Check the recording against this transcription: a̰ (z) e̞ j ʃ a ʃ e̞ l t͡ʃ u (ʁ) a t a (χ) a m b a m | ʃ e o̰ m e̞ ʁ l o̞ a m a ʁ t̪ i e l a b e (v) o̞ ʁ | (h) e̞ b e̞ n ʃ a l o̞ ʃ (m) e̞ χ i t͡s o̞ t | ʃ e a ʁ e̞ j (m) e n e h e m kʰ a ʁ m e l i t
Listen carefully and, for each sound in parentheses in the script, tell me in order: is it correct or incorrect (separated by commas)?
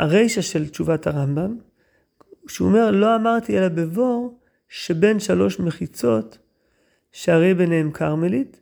incorrect, incorrect, incorrect, correct, incorrect, correct, incorrect